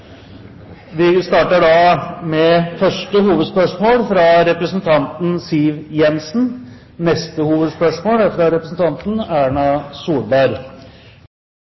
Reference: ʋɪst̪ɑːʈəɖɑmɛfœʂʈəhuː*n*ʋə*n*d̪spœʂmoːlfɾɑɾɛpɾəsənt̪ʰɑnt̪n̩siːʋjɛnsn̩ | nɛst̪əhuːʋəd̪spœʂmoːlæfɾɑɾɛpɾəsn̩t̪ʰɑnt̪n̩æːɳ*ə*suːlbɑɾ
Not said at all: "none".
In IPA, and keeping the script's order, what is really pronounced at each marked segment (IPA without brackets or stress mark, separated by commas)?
none, none, ɑ